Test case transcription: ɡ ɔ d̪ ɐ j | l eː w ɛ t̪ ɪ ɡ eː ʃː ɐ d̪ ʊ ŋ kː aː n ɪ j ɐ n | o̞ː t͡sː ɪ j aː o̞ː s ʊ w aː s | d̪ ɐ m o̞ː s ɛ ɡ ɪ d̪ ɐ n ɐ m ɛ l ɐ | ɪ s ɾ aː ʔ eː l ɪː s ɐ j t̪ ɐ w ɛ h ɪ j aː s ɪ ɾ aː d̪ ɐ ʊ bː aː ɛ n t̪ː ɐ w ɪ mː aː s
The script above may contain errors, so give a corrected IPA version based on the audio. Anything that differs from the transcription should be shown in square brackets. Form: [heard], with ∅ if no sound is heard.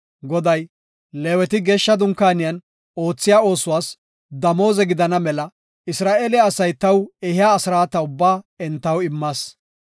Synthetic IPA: ɡ ɔ d̪ ɐ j | l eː w ɛ t̪ ɪ ɡ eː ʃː ɐ d̪ ʊ ŋ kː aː n ɪ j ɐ n | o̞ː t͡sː ɪ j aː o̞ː s ʊ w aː s | d̪ ɐ m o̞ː [z] ɛ ɡ ɪ d̪ ɐ n ɐ m ɛ l ɐ | ɪ s ɾ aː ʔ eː l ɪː s ɐ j t̪ ɐ w ɛ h ɪ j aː s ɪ ɾ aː [t̪] ɐ ʊ bː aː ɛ n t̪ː ɐ w ɪ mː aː s